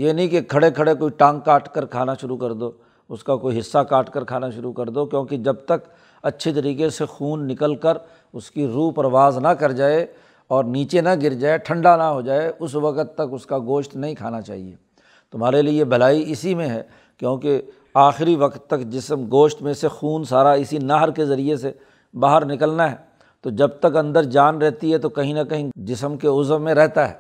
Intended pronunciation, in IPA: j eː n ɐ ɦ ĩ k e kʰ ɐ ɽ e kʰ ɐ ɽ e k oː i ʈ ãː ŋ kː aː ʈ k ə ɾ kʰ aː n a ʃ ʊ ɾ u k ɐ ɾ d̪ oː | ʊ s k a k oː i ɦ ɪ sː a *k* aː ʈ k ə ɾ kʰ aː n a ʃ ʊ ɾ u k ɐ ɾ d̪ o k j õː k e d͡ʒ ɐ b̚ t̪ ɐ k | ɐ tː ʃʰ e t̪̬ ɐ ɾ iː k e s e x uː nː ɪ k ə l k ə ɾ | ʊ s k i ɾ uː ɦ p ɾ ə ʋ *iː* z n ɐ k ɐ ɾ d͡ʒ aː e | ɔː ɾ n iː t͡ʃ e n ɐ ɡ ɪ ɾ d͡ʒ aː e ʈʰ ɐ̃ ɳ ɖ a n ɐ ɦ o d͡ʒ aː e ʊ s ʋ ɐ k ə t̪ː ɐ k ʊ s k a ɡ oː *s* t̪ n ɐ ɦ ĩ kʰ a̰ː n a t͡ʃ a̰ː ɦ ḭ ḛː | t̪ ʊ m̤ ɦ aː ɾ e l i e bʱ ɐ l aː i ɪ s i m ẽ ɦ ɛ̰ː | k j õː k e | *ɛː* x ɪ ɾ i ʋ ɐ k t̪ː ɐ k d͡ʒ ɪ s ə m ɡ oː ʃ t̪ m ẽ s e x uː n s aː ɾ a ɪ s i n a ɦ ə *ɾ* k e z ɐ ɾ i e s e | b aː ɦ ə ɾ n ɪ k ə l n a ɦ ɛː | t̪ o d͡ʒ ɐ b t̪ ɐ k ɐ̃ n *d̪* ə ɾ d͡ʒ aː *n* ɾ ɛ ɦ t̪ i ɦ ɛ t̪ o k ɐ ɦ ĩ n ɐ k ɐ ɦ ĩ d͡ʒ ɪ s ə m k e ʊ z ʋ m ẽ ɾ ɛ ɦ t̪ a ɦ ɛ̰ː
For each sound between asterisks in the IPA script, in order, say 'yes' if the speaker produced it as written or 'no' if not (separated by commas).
yes, no, no, no, yes, yes, yes